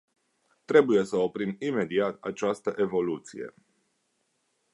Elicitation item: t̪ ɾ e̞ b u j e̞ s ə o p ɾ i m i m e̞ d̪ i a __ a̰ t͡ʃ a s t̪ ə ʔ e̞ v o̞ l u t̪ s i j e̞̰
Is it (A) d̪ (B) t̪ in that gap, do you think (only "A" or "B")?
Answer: B